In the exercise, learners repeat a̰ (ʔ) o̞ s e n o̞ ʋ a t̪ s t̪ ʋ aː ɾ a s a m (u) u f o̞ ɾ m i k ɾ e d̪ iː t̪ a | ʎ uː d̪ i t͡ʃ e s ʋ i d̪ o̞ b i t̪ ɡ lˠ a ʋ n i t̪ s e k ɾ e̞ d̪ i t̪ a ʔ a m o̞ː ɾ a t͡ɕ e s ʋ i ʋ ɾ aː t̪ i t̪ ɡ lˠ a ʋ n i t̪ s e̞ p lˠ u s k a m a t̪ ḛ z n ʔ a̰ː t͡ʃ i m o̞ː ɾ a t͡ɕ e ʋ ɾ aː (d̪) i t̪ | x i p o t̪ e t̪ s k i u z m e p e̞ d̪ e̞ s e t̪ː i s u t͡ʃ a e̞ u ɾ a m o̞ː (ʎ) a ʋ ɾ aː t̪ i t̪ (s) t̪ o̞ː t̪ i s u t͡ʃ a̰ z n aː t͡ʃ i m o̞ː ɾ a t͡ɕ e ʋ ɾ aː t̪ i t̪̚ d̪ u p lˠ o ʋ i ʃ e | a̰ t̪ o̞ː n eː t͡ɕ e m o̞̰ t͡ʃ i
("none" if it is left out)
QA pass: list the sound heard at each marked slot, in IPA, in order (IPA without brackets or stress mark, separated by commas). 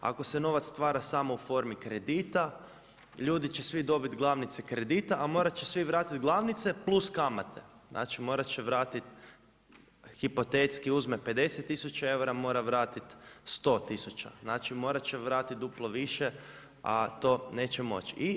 k, o, t̪, ɾ, s